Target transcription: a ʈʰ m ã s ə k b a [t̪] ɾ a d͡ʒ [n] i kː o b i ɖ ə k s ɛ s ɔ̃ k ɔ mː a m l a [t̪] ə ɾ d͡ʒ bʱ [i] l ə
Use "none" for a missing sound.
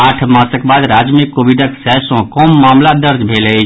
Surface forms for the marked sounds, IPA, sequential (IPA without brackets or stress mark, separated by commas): d̪, m, d̪, e